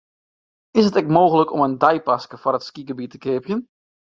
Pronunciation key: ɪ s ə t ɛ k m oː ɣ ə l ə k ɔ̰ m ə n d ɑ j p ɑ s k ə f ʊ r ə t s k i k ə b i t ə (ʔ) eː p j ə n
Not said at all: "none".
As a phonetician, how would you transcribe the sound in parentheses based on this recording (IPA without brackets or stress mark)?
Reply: k